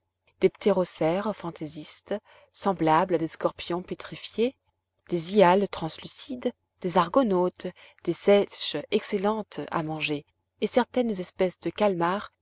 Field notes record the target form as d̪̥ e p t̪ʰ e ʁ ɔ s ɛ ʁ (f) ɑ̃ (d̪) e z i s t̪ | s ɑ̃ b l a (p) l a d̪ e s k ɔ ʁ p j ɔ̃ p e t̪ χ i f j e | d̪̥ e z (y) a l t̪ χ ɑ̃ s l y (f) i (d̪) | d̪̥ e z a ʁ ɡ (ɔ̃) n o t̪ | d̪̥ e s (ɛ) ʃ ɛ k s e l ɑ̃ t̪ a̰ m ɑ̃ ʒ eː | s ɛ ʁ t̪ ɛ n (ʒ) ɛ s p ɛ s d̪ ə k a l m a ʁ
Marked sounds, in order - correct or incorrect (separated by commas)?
correct, incorrect, incorrect, incorrect, incorrect, correct, incorrect, correct, incorrect